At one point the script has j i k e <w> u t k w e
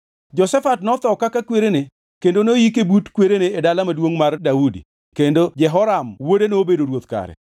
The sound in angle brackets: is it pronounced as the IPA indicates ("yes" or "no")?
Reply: no